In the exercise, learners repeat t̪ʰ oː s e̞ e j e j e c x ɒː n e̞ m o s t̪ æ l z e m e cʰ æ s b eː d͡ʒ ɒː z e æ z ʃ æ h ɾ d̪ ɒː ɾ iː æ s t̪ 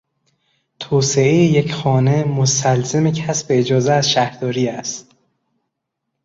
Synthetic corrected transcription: t̪ʰ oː s e̞ e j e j e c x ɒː n e̞ m o s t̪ æ l z e m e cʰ æ s b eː d͡ʒ ɒː z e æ z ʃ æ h ɾ d̪ ɒː ɾ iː æ s t̪